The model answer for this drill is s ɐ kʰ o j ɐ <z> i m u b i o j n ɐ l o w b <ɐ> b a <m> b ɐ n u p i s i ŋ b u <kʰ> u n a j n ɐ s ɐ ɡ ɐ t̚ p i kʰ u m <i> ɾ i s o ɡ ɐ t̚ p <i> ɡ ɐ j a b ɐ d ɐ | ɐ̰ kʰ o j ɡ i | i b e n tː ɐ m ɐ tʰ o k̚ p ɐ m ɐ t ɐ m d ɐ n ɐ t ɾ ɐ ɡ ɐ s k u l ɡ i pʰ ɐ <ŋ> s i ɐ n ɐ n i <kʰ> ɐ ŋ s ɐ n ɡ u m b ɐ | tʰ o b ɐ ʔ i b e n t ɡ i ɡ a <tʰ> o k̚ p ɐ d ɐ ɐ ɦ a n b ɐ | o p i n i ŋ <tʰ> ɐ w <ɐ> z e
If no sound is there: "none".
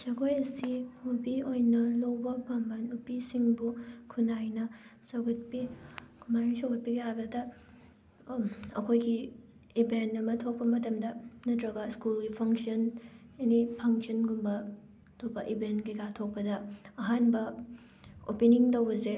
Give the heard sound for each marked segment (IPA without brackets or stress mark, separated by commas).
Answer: s, ɐ, m, kʰ, a, i, ŋ, pʰ, tʰ, t, ɐ